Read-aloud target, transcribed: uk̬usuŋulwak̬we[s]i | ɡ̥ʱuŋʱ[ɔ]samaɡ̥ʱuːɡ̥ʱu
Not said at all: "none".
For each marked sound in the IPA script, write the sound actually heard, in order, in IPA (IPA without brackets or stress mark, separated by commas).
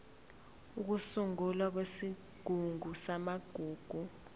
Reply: s, u